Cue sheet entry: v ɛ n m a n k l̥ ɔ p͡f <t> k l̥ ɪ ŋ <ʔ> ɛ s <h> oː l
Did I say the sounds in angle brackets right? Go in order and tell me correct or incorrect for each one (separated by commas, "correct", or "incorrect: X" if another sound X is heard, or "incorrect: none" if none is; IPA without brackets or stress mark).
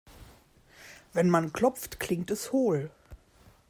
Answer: correct, incorrect: t, correct